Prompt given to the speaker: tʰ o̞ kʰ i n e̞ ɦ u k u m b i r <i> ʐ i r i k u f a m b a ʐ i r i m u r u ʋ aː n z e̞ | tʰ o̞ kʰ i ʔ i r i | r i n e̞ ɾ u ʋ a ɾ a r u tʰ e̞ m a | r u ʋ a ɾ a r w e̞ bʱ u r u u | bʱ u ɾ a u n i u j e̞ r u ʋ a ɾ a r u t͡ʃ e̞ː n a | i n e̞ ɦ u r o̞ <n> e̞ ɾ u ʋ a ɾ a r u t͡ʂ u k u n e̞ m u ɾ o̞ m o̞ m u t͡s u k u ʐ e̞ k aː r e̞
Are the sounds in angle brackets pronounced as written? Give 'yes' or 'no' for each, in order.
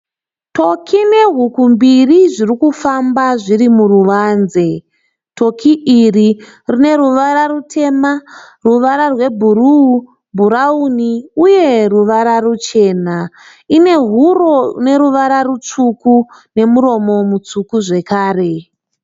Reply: yes, yes

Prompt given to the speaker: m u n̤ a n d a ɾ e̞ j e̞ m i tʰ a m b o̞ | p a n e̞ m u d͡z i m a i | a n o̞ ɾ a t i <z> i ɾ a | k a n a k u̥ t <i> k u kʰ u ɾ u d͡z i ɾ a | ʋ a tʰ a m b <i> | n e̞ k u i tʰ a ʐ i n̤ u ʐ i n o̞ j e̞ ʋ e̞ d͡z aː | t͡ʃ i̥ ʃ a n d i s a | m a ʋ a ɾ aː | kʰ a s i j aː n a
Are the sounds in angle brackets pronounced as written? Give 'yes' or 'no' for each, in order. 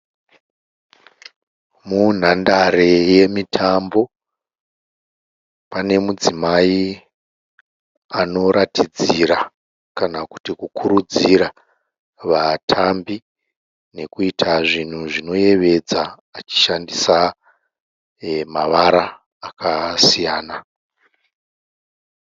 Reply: no, yes, yes

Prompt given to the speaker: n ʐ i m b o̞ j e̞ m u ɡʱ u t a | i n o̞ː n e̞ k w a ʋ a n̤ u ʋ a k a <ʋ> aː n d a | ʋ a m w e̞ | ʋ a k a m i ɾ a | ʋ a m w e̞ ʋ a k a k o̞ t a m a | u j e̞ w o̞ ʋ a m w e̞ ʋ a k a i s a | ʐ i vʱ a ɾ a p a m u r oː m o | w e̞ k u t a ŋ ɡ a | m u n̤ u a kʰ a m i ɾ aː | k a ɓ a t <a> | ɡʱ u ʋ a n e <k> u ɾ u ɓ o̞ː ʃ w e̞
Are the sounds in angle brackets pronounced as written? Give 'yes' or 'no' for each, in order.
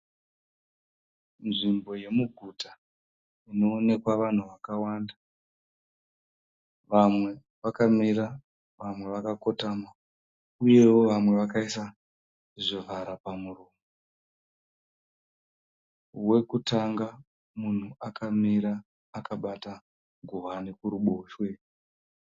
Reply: no, yes, yes

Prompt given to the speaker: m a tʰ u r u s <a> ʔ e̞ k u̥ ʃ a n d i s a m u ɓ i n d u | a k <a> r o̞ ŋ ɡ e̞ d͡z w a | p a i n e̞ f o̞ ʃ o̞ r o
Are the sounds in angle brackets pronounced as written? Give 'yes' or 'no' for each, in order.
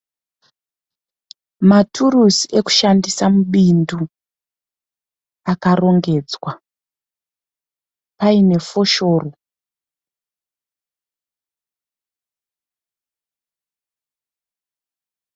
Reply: no, yes

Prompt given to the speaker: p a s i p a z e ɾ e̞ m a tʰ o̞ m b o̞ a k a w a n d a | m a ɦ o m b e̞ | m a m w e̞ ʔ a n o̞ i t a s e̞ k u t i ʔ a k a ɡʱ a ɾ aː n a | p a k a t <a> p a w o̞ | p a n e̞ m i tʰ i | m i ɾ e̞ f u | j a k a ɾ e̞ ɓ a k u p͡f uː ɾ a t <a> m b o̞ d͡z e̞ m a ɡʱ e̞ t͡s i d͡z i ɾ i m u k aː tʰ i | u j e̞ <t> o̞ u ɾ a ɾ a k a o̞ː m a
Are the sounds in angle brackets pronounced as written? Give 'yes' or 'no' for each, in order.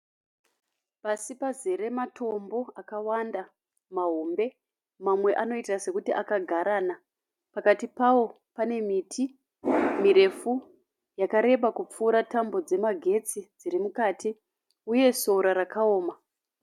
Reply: no, yes, no

